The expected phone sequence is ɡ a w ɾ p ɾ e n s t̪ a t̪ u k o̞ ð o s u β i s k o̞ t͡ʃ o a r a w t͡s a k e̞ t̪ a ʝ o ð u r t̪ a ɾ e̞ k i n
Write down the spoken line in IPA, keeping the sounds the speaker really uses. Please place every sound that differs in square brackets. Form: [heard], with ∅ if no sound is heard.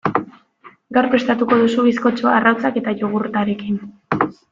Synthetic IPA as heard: ɡ a w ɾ p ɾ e [∅] s t̪ a t̪ u k o̞ ð [u] s u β i s k o̞ t͡ʃ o a r a w t͡s a k e̞ t̪ a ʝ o [ɣ] u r t̪ a ɾ e̞ k i n